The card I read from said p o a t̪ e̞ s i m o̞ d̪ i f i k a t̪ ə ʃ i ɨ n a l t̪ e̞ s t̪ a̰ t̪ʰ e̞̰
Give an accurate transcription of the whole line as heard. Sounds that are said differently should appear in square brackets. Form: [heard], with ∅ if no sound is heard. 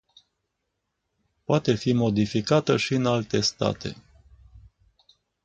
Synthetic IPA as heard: p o a t̪ e̞ [f] i m o̞ d̪ i f i k a t̪ ə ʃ i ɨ n a l t̪ e̞ s t̪ a̰ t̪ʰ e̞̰